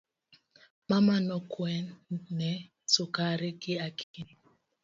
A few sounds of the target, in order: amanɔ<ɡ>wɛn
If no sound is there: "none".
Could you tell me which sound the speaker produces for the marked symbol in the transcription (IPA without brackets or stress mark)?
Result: k